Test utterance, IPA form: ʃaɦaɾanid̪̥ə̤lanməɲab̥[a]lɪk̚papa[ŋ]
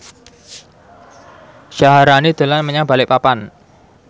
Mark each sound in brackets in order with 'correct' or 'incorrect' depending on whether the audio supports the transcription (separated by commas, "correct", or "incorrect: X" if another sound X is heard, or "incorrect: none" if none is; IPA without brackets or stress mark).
correct, incorrect: n